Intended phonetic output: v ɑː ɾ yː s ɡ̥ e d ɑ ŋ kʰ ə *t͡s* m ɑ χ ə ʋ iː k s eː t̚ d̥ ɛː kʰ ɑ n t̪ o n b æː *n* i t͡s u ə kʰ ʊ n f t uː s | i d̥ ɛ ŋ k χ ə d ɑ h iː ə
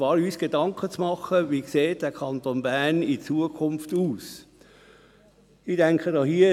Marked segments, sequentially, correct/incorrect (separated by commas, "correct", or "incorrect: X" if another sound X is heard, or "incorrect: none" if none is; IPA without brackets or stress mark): correct, correct